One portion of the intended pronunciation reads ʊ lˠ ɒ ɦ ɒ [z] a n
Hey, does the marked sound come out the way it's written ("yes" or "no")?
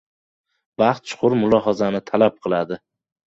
yes